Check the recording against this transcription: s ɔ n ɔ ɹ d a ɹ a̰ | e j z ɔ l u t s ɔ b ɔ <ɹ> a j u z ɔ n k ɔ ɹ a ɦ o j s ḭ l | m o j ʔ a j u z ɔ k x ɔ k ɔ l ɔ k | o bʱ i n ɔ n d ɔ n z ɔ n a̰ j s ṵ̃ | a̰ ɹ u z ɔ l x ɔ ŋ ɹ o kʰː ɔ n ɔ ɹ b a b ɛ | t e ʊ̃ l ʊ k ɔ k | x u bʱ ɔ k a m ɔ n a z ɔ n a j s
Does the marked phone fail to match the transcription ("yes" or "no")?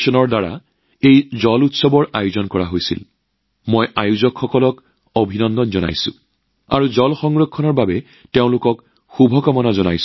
no